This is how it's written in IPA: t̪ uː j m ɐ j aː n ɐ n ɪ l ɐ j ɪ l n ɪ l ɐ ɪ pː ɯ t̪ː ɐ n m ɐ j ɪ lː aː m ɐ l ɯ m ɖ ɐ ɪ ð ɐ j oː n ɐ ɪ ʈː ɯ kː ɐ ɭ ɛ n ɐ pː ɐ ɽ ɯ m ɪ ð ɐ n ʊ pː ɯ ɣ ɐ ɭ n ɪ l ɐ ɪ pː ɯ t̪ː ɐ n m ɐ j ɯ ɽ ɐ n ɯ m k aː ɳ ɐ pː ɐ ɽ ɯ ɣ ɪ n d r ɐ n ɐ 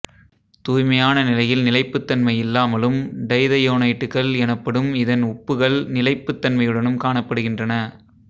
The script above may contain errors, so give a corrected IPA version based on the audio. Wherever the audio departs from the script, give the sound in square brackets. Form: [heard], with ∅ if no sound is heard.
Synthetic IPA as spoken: t̪ uː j m ɐ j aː n ɐ n ɪ l ɐ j ɪ l n ɪ l ɐ ɪ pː ɯ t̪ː ɐ n m ɐ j ɪ lː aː m ɐ l ɯ m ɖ ɐ ɪ ð ɐ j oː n ɐ ɪ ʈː ɯ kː ɐ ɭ ɛ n ɐ pː ɐ ɽ ɯ m ɪ ð ɐ n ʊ pː ɯ ɣ ɐ ɭ n ɪ l ɐ ɪ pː ɯ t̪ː ɐ n m ɐ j ɯ ɽ ɐ n ɯ m k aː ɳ ɐ pː ɐ ɽ ɯ ɣ ɪ n d r ɐ n ɐ